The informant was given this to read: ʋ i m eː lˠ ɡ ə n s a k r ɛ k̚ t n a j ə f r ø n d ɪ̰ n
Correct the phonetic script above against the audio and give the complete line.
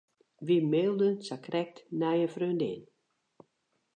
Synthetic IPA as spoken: ʋ i m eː lˠ d ə n s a k r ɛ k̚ t n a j ə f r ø n d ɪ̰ n